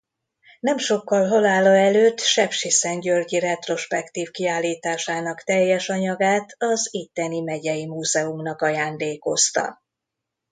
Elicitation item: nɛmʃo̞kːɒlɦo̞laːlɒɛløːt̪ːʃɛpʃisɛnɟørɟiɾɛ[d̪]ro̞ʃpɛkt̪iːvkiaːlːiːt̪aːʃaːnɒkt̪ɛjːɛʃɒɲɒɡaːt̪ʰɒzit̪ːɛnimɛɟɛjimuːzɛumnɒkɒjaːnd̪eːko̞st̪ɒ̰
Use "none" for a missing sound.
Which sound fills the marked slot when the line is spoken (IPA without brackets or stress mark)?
t̪